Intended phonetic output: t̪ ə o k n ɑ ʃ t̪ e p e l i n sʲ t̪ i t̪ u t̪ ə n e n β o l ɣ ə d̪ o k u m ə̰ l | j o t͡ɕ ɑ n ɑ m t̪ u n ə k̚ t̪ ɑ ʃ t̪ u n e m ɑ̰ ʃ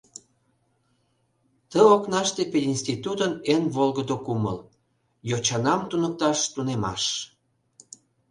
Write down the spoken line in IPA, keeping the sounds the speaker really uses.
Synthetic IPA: t̪ ə o k n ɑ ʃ t̪ e p e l i n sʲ t̪ i t̪ u t̪ ə n e n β o l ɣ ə d̪ o k u m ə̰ l | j o t͡ɕ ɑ n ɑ m t̪ u n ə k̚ t̪ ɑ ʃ t̪ u n e m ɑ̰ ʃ